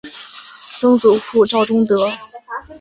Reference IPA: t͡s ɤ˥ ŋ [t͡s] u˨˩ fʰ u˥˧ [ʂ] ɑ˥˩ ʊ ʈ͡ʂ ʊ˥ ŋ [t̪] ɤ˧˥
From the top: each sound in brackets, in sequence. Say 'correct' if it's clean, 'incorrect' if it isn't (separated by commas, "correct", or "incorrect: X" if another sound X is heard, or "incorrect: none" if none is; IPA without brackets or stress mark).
correct, incorrect: ʈ͡ʂ, correct